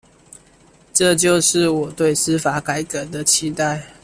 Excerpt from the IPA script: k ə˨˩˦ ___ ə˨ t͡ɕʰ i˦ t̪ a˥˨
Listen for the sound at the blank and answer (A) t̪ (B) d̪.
B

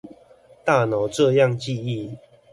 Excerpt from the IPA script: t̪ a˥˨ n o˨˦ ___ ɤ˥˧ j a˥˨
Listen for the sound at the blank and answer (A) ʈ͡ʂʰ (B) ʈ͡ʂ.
B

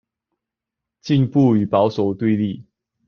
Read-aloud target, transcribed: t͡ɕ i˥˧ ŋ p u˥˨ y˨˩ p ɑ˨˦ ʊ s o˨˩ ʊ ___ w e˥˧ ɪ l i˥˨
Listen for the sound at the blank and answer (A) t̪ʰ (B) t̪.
B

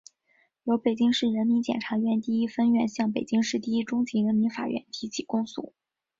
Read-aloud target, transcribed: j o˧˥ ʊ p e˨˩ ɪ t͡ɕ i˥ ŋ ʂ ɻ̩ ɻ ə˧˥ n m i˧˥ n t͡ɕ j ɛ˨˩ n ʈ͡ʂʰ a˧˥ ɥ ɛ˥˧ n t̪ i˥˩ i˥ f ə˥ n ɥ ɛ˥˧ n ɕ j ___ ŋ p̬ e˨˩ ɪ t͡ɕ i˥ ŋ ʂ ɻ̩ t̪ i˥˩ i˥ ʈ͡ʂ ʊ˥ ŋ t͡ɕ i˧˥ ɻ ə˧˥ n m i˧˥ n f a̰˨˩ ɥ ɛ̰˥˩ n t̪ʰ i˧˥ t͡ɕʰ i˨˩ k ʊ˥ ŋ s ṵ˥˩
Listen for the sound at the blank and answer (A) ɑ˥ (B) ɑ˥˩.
B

